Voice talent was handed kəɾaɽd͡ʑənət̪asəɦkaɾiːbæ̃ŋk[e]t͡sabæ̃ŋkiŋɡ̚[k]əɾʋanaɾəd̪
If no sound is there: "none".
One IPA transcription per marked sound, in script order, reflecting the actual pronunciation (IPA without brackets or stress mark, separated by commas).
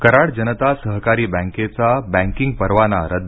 e, p